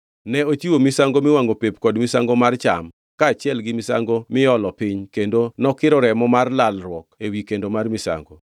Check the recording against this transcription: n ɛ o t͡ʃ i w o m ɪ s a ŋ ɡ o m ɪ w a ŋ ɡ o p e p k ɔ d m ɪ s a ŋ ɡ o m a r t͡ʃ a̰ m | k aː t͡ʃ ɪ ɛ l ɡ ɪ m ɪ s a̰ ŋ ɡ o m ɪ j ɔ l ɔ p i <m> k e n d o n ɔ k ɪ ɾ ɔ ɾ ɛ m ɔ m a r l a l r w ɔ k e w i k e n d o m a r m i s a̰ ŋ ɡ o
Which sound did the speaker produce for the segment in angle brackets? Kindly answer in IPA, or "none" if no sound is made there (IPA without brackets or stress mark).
ɲ